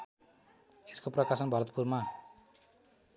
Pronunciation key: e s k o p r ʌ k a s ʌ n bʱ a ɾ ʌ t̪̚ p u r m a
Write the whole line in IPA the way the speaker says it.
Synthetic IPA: e s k o p r ʌ k a s ʌ n bʱ ʌ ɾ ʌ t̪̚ p u r m a